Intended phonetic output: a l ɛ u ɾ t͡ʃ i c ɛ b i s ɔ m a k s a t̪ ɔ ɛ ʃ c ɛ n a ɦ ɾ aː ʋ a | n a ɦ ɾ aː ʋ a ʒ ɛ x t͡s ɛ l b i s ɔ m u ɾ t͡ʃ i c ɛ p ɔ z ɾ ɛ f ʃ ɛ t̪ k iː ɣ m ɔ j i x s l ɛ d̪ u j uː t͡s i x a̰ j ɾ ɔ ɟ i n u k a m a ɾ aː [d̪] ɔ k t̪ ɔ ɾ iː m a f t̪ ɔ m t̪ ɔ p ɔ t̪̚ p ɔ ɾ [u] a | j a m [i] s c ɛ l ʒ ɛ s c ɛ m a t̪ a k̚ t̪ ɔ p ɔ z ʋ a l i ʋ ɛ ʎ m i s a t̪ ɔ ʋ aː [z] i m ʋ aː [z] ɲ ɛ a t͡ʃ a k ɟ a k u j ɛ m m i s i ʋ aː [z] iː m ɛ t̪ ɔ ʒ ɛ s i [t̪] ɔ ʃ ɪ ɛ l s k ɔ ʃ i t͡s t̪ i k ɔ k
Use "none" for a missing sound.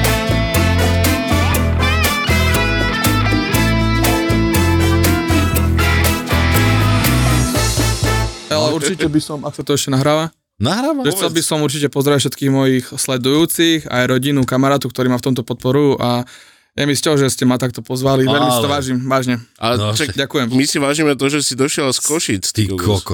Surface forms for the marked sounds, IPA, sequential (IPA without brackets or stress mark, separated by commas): t̪, u, i, ʒ, ʒ, ʒ, d̪